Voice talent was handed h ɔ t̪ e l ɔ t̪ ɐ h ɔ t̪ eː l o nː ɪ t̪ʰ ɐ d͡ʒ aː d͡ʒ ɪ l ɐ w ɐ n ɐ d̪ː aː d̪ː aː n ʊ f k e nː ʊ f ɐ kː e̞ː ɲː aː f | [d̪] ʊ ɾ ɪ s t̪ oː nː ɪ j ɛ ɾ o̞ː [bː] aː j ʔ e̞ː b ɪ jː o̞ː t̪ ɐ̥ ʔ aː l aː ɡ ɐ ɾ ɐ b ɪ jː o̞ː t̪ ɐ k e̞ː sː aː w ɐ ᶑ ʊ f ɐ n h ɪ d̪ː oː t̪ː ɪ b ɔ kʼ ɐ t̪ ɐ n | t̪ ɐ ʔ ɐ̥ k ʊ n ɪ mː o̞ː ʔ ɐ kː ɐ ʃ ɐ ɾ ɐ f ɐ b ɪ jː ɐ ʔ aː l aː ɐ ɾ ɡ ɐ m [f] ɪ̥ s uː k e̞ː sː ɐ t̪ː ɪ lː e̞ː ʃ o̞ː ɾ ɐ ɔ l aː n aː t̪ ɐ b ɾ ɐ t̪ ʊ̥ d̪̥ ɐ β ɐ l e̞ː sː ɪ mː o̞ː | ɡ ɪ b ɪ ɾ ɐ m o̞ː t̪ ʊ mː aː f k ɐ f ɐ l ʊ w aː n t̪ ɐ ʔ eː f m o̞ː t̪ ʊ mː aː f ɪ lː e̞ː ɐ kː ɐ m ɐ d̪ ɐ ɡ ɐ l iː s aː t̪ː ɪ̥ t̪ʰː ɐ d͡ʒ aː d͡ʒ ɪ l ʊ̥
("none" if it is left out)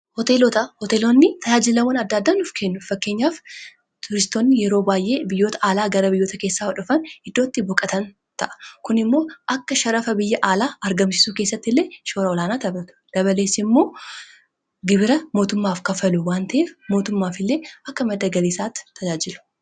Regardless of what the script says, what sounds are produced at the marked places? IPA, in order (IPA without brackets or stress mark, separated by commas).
t̪, b, s